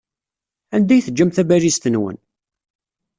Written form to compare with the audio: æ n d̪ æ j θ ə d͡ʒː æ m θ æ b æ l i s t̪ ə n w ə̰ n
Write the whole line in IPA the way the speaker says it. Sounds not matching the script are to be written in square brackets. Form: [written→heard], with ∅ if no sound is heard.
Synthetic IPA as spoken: æ n d̪ æ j θ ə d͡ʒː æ m θ æ b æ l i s t̪ ə n w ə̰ n

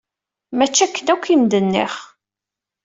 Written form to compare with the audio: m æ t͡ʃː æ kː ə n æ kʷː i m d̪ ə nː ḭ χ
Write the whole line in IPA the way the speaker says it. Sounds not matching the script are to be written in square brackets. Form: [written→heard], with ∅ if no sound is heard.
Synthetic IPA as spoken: m æ t͡ʃː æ kː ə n æ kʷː i m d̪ ə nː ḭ χ

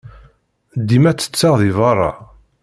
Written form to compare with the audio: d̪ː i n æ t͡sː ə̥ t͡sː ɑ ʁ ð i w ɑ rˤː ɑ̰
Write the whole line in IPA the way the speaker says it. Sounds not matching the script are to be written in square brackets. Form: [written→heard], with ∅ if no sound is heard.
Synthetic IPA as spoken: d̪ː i [n→m] æ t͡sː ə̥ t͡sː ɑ ʁ ð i [w→v] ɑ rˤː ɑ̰

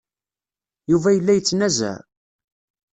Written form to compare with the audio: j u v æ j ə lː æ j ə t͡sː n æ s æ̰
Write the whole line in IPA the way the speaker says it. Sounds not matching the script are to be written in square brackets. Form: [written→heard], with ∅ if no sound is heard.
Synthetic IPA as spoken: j u v æ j ə lː æ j ə t͡sː n æ [s→z] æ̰

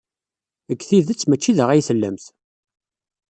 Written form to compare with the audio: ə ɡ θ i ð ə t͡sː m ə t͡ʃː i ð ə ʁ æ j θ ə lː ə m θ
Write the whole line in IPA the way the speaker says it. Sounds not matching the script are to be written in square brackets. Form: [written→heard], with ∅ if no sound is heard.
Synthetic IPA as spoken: ə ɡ θ i ð ə t͡sː m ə t͡ʃː i ð ə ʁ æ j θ ə lː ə m θ

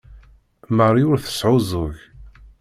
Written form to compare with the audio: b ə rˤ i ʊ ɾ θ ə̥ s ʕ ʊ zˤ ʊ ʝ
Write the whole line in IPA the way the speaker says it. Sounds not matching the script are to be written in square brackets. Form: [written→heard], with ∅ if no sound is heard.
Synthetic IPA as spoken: [b→m] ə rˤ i ʊ ɾ θ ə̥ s ʕ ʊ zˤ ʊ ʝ

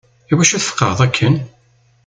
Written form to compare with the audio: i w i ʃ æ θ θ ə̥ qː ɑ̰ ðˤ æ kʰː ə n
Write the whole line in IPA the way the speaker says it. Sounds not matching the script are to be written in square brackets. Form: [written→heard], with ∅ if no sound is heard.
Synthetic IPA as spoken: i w [i→æ] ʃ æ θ [θ→f] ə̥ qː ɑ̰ ðˤ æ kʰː ə n

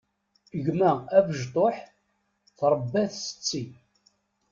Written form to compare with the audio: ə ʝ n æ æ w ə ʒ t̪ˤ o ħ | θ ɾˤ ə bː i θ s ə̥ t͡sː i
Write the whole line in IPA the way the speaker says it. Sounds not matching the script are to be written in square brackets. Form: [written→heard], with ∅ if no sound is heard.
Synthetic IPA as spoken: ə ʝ [n→m] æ æ [w→v] ə ʒ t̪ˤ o ħ | θ ɾˤ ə bː [i→æ] θ s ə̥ t͡sː i

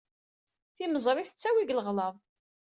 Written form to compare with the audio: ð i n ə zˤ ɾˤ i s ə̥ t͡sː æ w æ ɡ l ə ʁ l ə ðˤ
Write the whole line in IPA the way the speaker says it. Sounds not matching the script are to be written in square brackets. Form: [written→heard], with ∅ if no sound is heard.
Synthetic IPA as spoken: [ð→θ] i [n→m] ə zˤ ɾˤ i [s→θ] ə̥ t͡sː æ w [æ→i] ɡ l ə ʁ l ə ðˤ

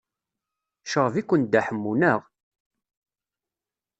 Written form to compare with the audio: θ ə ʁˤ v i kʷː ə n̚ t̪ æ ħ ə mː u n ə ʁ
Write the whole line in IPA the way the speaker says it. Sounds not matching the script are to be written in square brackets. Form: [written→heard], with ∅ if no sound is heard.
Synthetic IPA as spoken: [θ→ʃ] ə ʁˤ v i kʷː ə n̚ [t̪→d̪] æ ħ ə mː u n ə ʁ

